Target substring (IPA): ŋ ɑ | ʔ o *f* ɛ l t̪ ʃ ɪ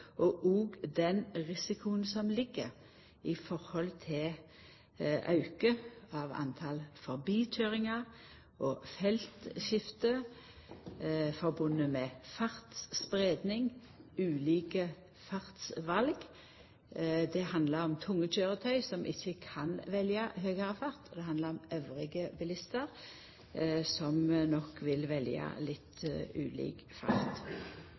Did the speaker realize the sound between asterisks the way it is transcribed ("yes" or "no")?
yes